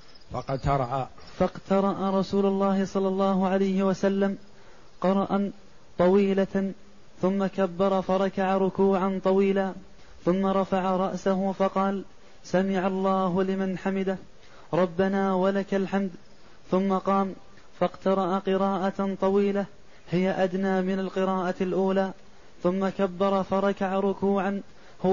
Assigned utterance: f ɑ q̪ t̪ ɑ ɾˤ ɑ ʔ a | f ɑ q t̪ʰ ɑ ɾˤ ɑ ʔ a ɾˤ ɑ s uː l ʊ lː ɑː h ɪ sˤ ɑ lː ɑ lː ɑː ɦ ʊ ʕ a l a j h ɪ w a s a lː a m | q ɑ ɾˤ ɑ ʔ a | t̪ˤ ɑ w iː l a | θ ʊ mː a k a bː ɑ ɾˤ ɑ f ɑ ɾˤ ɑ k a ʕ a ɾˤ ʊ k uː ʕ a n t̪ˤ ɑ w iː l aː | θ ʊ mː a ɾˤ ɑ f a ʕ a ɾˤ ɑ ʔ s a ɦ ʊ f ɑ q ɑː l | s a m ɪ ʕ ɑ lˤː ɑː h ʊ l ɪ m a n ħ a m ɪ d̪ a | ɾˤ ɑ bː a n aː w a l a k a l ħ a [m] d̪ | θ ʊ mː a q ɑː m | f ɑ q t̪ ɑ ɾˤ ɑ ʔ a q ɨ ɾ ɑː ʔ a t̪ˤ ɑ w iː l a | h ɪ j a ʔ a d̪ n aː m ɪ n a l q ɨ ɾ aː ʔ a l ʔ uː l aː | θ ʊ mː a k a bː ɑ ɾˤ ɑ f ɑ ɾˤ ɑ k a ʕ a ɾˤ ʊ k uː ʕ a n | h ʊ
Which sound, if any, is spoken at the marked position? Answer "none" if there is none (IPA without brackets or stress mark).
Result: m